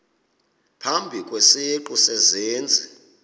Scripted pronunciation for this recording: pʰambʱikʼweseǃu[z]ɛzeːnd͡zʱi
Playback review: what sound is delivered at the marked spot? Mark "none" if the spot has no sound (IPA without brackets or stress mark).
s